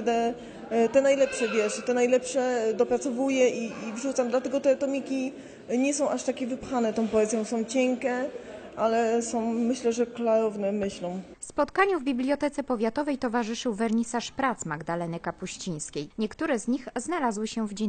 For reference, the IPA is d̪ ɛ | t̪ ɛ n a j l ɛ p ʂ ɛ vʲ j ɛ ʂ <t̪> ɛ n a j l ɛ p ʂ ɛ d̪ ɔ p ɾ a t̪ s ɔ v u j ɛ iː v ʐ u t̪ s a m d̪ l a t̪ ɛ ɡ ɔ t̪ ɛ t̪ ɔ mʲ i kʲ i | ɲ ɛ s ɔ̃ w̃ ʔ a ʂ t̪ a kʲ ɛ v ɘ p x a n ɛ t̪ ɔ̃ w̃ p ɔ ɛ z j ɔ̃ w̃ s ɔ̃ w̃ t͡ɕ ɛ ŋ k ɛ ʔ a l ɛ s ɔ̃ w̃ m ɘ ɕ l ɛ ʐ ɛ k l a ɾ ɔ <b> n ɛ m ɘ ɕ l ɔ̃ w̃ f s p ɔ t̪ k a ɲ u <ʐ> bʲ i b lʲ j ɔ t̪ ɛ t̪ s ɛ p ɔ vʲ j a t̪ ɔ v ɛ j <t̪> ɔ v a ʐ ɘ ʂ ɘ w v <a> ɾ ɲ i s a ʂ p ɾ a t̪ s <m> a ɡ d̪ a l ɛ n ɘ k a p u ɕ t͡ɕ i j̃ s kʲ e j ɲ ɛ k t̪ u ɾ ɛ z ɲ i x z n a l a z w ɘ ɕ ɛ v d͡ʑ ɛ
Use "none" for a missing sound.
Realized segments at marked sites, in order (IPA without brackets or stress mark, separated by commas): t̪, v, v, t̪, ɛ, m